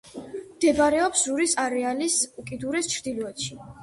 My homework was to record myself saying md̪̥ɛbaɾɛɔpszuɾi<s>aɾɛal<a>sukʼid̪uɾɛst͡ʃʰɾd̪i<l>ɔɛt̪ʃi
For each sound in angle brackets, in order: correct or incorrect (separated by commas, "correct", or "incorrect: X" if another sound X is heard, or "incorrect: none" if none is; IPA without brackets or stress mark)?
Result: correct, incorrect: i, correct